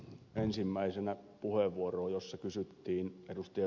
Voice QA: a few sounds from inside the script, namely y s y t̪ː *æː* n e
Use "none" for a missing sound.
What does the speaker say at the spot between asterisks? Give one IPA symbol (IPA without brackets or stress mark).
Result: iː